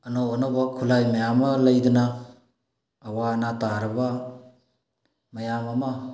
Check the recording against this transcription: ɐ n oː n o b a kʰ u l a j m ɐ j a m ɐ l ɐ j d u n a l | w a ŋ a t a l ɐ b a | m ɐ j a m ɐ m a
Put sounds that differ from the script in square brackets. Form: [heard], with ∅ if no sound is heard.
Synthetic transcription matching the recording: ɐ n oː n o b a kʰ u l a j m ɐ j a m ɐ l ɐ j d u n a [∅] | w a [n] a t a [ɾ] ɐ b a | m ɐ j a m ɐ m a